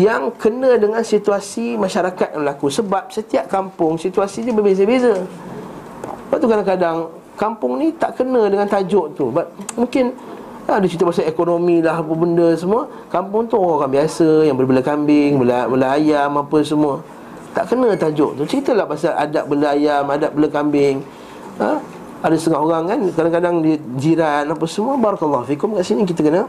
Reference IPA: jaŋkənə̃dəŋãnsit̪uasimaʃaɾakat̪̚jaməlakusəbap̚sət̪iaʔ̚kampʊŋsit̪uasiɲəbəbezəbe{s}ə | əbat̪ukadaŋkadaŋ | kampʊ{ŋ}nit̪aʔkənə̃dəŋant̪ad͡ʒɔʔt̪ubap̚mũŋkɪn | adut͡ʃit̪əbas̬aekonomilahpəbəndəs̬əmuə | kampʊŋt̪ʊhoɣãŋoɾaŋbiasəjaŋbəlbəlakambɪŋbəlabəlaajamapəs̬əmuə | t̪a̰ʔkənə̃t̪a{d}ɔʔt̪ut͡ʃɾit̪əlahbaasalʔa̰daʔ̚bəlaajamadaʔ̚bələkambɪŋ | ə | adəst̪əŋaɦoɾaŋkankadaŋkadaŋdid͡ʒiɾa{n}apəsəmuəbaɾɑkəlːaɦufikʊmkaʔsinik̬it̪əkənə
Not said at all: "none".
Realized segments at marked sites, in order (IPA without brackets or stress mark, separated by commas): z, ŋ, d͡ʒ, n